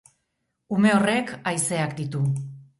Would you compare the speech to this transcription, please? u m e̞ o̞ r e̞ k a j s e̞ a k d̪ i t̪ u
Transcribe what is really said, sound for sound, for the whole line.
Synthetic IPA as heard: u m e̞ o̞ r e̞ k a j s e̞ a k d̪ i t̪ u